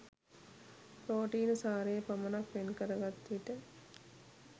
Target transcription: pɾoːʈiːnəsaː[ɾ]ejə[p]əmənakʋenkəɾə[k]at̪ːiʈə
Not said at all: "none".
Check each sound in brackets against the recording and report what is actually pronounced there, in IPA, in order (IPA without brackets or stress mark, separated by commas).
ɾ, p, ɡ